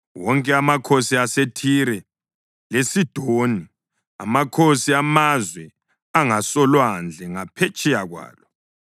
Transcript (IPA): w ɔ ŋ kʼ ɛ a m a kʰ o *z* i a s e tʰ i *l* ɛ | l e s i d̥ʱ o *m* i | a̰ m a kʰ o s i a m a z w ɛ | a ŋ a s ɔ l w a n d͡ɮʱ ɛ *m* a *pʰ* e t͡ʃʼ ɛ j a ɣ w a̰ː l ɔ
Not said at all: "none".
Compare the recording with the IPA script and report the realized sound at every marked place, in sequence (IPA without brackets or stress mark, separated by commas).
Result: s, ɾ, n, ŋ, pʰ